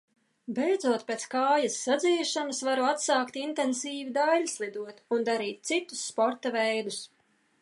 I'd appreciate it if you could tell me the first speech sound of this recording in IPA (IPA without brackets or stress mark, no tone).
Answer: b